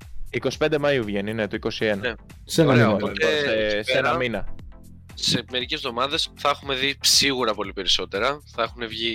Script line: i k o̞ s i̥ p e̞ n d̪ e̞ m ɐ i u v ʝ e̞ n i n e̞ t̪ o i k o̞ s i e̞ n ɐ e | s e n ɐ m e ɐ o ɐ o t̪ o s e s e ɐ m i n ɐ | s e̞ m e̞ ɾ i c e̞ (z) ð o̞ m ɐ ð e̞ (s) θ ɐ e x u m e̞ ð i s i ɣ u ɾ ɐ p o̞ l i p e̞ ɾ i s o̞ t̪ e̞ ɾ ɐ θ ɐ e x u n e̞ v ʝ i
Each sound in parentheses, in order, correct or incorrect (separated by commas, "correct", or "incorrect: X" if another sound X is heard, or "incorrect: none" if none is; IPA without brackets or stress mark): correct, correct